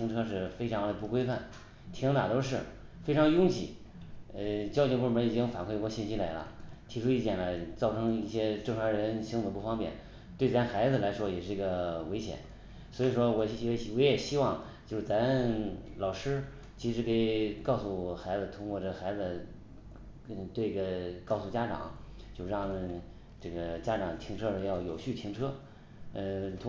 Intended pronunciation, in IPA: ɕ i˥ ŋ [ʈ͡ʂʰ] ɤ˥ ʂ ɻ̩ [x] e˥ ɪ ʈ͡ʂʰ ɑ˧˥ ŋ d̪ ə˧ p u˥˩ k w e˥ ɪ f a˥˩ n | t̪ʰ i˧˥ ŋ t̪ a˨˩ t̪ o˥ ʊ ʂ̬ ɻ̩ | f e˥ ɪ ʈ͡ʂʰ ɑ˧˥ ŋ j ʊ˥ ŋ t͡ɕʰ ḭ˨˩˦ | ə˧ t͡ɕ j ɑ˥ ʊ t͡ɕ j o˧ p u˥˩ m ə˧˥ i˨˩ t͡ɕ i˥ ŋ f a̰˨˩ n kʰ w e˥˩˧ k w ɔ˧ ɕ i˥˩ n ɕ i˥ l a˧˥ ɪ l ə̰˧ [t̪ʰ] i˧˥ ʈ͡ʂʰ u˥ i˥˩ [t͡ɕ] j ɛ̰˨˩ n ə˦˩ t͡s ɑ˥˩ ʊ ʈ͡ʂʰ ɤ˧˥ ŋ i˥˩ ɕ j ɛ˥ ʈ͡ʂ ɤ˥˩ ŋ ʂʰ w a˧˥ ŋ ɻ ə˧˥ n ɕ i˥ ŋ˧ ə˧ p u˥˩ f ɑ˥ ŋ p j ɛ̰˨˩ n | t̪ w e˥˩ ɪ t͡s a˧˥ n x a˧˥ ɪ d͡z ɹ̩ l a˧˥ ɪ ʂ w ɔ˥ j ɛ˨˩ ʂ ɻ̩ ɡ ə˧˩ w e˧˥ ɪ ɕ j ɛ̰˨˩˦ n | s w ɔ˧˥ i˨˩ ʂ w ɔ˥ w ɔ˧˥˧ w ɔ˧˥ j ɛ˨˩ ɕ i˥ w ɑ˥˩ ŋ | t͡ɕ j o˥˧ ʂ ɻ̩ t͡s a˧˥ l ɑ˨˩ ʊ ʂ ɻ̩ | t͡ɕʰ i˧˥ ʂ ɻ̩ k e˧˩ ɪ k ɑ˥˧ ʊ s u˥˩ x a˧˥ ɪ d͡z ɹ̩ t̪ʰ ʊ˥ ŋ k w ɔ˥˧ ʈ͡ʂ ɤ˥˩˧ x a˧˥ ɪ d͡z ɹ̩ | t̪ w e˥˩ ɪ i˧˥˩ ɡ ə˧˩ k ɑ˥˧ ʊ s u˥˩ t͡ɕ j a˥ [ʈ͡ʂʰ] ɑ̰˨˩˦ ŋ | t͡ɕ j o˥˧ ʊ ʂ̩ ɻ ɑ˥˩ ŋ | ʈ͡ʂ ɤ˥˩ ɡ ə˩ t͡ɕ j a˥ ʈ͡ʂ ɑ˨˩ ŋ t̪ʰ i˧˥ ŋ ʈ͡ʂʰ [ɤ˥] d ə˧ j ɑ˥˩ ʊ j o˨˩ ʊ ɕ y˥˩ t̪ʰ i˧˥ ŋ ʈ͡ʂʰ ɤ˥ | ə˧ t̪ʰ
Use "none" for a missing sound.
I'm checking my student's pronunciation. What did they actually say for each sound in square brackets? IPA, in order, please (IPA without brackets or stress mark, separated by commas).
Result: ʈ͡ʂʰ, f, t̪ʰ, t͡ɕ, ʈ͡ʂ, ɤ˥